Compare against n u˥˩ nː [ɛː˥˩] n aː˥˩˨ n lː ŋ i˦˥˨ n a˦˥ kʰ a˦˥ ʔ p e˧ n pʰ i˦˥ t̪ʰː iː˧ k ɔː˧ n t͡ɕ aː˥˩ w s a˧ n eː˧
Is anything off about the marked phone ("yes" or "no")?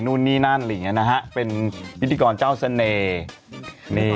yes